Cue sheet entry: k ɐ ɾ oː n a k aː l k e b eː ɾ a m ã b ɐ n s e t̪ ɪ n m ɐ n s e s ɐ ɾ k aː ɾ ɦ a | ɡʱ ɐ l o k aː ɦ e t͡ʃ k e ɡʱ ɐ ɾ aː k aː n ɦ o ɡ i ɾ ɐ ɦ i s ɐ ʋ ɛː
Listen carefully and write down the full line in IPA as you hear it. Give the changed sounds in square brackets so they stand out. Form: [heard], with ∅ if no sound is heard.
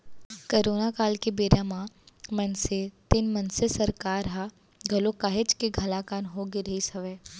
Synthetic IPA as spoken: k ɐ ɾ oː n a k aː l k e b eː ɾ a m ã [m] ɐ n s e t̪ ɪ n m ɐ n s e s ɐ ɾ k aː ɾ ɦ a | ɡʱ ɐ l o k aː ɦ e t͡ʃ k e ɡʱ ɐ [l] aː k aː n ɦ o ɡ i ɾ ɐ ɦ i s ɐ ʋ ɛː